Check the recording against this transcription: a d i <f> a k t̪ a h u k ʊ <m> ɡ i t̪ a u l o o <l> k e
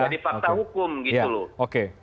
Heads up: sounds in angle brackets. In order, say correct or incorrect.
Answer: correct, correct, incorrect: none

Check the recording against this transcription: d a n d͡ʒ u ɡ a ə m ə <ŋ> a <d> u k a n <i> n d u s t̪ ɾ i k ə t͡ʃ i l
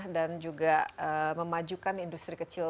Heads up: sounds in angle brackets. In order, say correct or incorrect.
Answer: incorrect: m, incorrect: d͡ʒ, correct

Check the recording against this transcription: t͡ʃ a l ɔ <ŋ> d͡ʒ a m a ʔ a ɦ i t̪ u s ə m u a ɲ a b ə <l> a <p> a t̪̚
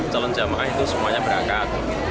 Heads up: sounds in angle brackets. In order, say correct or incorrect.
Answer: incorrect: n, incorrect: ɾ, incorrect: k

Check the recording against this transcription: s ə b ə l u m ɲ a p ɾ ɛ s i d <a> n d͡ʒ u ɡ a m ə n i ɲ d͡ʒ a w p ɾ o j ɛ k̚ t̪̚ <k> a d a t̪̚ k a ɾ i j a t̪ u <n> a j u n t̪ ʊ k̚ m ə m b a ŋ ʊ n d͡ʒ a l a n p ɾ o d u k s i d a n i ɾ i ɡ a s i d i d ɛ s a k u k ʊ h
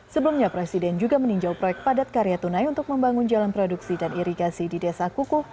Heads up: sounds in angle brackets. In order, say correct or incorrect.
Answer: incorrect: ɛ, incorrect: p, correct

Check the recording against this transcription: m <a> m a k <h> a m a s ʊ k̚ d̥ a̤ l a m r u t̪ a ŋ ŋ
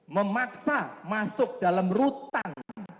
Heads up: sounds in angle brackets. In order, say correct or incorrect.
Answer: incorrect: ə, incorrect: s

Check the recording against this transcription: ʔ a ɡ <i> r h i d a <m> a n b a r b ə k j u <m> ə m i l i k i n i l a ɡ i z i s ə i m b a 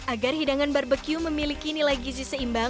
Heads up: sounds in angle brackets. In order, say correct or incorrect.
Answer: incorrect: a, incorrect: ŋ, correct

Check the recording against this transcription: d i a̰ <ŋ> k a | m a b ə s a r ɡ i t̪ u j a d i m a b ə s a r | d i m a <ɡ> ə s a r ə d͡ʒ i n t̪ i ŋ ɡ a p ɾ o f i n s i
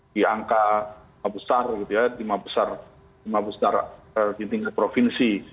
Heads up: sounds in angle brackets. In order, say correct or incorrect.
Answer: correct, incorrect: b

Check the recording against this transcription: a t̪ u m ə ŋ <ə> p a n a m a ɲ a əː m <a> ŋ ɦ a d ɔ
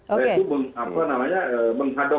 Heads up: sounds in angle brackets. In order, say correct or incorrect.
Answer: incorrect: a, incorrect: ə

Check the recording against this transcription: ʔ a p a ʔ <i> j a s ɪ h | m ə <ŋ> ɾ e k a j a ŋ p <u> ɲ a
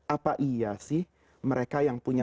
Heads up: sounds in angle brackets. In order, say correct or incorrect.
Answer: correct, incorrect: none, correct

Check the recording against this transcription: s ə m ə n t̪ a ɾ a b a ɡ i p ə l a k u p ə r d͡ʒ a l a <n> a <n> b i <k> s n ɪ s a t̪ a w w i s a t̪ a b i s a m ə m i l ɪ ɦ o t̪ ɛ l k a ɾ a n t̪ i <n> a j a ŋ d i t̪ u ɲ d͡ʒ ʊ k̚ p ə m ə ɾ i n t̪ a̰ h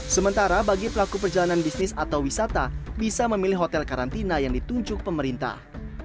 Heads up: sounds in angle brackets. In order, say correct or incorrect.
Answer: correct, correct, incorrect: none, correct

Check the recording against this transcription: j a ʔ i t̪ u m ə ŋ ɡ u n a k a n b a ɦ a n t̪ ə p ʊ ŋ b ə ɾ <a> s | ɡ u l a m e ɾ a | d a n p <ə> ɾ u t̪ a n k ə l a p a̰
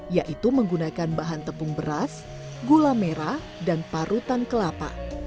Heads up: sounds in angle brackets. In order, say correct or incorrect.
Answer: correct, incorrect: a

